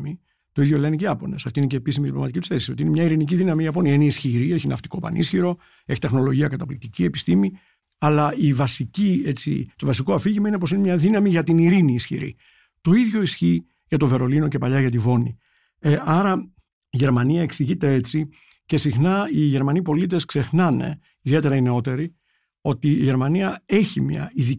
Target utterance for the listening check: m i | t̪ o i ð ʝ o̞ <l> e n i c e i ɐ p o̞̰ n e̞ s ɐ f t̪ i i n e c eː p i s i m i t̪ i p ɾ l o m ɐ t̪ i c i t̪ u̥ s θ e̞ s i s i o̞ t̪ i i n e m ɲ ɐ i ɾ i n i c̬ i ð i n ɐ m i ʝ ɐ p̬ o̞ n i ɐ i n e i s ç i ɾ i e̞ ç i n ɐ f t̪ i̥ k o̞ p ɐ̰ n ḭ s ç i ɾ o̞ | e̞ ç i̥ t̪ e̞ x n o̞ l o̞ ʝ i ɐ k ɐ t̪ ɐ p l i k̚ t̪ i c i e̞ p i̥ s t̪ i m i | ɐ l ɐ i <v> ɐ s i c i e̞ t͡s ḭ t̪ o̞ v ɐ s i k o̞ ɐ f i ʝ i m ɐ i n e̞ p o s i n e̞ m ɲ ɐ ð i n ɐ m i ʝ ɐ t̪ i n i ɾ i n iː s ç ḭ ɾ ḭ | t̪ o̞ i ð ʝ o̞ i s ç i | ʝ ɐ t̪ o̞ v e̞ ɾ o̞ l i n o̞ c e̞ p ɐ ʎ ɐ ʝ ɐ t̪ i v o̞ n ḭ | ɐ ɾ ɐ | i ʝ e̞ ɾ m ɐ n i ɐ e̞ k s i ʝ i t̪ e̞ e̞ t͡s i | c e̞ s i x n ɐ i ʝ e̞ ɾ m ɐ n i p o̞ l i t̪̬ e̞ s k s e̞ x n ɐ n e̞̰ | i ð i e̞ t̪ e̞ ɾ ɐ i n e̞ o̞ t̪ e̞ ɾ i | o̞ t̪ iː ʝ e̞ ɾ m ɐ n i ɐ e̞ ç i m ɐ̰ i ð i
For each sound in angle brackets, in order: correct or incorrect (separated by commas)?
correct, correct